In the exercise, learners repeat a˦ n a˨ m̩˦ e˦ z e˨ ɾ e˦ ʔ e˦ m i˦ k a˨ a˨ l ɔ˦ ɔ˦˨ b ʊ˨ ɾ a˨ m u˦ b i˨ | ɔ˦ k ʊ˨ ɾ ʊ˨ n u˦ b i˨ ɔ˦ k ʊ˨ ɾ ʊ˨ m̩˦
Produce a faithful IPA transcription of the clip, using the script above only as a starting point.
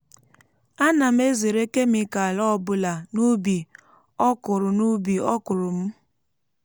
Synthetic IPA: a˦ n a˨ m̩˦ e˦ z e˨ ɾ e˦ k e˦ m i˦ k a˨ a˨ l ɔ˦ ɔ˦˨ b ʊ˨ l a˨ n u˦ b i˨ | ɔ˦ k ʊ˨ ɾ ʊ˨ n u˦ b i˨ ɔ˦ k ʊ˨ ɾ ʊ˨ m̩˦